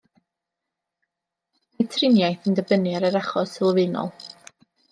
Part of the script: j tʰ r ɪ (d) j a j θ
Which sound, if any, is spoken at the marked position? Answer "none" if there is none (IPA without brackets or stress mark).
n